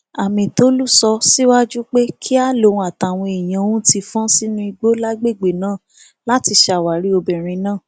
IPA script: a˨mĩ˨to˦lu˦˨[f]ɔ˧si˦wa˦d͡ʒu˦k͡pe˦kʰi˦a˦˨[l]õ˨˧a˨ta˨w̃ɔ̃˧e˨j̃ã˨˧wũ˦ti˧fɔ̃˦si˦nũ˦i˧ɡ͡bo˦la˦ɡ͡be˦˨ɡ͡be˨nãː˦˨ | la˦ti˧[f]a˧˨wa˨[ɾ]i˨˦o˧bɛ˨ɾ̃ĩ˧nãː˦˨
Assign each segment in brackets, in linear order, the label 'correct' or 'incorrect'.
incorrect: s, correct, incorrect: ʃ, correct

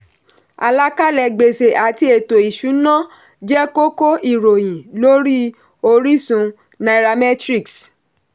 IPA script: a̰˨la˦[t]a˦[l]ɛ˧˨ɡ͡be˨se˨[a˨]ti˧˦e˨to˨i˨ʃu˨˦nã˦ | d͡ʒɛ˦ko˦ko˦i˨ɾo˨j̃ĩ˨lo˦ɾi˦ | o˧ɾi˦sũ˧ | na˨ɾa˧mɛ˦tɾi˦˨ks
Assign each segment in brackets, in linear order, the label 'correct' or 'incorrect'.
incorrect: k, correct, correct

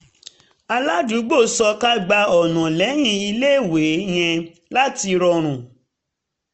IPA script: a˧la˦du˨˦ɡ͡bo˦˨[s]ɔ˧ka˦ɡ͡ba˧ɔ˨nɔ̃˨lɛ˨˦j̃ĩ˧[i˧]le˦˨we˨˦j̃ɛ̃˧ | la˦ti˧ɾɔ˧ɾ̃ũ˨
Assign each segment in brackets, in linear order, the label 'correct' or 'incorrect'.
correct, correct

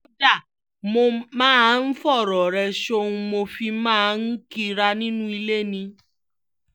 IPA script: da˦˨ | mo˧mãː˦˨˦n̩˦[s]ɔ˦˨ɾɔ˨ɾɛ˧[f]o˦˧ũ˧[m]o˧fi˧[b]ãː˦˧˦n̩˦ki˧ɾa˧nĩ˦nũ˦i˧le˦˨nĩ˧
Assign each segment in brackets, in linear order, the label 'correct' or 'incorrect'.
incorrect: f, incorrect: ʃ, correct, incorrect: m

